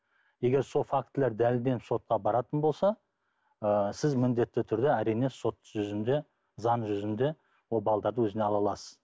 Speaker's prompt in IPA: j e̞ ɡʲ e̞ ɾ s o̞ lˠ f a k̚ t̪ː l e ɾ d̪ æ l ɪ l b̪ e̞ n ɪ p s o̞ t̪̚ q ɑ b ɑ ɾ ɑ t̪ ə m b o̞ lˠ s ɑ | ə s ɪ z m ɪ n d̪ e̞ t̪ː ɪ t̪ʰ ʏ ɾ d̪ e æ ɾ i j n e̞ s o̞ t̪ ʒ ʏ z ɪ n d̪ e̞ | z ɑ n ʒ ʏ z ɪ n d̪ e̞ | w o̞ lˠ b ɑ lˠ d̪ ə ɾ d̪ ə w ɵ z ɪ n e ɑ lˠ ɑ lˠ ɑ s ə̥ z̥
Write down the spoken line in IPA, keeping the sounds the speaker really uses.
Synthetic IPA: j e̞ ɡʲ e̞ ɾ s o̞ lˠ f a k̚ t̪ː l e ɾ d̪ æ l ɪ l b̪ e̞ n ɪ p s o̞ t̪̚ q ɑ b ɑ ɾ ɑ t̪ ə n b o̞ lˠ s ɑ | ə s ɪ z m ɪ n d̪ e̞ t̪ː ɪ t̪ʰ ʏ ɾ d̪ e æ ɾ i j n e̞ s o̞ t̪ ʒ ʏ z ɪ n d̪ e̞ | z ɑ n ʒ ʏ z ɪ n d̪ e̞ | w o̞ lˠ b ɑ lˠ d̪ ɑ ɾ d̪ ə w ɵ z ɪ n e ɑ lˠ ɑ lˠ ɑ s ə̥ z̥